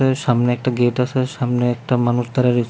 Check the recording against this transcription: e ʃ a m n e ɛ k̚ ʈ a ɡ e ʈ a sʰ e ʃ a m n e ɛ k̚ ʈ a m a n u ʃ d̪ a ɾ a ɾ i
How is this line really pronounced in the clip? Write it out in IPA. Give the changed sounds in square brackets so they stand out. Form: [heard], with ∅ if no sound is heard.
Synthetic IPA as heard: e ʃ a m n e ɛ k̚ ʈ a ɡ e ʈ a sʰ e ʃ a m n e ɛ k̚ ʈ a m a n u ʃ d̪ a ɾ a ɾ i